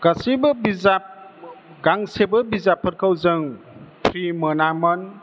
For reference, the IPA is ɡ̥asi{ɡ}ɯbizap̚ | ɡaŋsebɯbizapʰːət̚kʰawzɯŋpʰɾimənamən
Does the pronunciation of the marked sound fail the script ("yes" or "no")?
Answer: yes